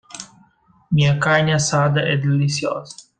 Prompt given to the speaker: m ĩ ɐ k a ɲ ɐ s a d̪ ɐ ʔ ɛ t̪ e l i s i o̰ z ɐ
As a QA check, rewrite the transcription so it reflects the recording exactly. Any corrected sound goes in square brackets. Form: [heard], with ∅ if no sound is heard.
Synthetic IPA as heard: m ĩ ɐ k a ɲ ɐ s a d̪ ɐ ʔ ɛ [d̪] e l i s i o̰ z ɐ